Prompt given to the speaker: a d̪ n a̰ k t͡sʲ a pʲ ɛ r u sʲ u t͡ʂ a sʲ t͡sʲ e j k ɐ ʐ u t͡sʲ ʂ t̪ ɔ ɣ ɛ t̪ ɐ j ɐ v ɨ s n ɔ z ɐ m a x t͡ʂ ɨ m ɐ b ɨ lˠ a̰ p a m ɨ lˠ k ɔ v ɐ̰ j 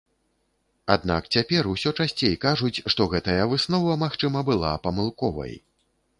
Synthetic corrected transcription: a d̪ n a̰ k t͡sʲ a pʲ ɛ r u sʲ ɔ t͡ʂ a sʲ t͡sʲ e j k a ʐ u t͡sʲ ʂ t̪ ɔ ɣ ɛ t̪ ɐ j ɐ v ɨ s n ɔ v ɐ m a x t͡ʂ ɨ m ɐ b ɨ lˠ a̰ p ɐ m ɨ lˠ k ɔ v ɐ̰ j